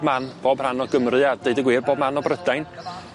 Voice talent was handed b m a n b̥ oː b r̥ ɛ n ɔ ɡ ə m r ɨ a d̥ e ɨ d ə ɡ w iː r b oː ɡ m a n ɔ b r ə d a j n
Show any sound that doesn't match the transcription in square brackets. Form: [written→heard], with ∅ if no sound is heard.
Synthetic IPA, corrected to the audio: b m a n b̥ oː b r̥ [ɛ→a] n ɔ ɡ ə m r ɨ a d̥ e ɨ d ə ɡ w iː r b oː [ɡ→b] m a n ɔ b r ə d a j n